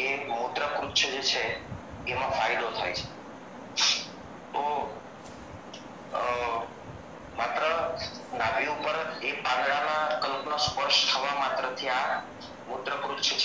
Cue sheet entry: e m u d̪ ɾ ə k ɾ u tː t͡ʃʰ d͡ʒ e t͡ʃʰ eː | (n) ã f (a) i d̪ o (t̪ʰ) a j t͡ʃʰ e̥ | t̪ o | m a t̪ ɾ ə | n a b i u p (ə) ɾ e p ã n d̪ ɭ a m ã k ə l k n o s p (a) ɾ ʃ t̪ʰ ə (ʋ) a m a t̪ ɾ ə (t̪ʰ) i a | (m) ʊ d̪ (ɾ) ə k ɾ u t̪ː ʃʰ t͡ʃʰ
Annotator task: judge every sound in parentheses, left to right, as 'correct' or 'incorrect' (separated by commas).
incorrect, correct, correct, correct, incorrect, correct, correct, correct, correct